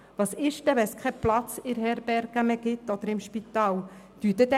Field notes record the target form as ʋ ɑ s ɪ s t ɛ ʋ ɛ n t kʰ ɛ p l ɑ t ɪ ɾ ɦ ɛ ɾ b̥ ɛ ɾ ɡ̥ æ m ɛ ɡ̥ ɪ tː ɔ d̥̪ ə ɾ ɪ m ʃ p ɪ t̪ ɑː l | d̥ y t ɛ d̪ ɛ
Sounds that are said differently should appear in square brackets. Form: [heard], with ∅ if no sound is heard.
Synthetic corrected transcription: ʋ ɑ s ɪ [ʃ] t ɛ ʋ ɛ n [s] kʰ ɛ p l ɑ [t͡s] ɪ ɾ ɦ ɛ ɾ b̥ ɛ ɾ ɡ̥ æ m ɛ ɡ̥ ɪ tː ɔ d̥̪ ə ɾ ɪ m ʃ p [i] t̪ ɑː l | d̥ y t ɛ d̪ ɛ